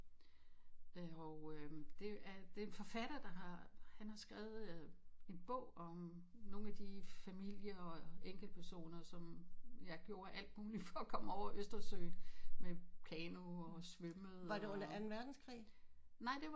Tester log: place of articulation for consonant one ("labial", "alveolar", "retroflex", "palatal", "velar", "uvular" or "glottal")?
alveolar